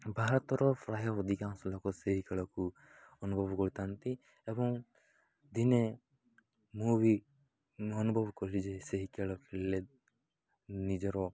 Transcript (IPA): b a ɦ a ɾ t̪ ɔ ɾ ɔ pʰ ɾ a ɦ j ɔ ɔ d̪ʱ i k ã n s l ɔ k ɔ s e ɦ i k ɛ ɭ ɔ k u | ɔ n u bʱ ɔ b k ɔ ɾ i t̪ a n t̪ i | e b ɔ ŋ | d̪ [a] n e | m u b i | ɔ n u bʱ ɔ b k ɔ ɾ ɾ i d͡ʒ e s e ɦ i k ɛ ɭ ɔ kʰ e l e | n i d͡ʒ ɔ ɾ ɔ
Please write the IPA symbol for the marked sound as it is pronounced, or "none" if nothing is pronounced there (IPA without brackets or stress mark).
i